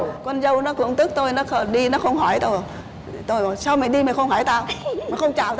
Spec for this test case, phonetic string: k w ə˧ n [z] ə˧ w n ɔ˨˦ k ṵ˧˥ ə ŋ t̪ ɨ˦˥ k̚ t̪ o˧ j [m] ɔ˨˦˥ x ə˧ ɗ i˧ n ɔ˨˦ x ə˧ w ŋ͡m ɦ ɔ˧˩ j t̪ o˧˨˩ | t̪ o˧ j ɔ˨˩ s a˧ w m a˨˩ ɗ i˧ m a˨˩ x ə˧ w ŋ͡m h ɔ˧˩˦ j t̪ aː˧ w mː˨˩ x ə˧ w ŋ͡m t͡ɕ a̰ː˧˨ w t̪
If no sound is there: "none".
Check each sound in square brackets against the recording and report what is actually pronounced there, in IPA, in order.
z, n

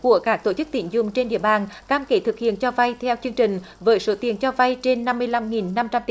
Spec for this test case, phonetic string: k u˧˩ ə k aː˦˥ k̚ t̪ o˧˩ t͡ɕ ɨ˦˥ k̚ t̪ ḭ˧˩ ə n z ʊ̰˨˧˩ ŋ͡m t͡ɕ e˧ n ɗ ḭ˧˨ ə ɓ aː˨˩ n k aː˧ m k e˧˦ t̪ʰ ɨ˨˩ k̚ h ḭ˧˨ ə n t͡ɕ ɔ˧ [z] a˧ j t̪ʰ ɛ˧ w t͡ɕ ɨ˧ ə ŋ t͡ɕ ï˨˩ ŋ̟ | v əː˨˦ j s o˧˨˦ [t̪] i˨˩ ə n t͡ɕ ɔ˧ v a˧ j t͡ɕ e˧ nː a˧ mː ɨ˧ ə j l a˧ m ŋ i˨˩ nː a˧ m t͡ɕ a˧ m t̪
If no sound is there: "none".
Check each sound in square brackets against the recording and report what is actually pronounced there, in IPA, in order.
v, t̪

